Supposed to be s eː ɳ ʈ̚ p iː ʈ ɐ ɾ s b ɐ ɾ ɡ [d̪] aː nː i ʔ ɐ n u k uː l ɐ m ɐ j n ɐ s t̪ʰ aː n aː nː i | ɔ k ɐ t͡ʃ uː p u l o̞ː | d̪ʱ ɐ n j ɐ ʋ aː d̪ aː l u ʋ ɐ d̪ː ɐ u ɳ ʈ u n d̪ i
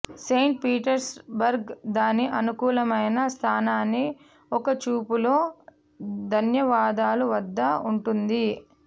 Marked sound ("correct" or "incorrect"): correct